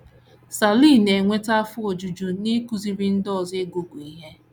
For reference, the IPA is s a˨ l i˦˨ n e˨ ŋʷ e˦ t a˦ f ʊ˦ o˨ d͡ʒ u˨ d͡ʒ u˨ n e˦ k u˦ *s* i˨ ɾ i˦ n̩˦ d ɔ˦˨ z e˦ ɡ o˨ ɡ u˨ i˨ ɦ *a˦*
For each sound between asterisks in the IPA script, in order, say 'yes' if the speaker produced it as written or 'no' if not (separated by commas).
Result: no, no